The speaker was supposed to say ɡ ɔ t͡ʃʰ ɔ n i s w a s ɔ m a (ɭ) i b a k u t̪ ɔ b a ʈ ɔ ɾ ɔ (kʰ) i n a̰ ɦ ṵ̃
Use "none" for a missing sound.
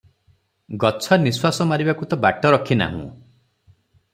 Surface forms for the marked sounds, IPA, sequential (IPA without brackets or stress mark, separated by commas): ɾ, kʰ